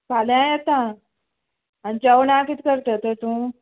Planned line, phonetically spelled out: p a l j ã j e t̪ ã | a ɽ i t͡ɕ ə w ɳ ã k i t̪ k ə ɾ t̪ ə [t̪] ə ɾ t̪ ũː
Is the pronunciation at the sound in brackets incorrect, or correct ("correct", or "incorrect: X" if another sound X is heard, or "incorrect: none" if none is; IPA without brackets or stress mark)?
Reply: correct